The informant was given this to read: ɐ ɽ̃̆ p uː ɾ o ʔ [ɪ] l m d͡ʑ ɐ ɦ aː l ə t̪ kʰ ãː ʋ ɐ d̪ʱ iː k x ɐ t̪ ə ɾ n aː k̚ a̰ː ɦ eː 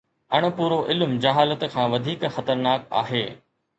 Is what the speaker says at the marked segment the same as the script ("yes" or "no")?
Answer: yes